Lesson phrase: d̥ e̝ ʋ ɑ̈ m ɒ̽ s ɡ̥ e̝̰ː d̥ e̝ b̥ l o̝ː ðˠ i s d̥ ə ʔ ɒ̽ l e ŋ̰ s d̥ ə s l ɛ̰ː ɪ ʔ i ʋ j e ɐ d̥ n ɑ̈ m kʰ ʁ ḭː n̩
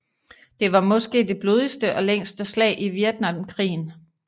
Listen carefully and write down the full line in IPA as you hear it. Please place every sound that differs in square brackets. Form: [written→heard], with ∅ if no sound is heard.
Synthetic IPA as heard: d̥ e̝ ʋ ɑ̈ m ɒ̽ s ɡ̥ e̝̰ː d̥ e̝ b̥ l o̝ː ðˠ i s d̥ ə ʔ ɒ̽ l e ŋ̰ s d̥ ə s l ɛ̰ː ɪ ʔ i ʋ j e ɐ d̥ n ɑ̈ m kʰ ʁ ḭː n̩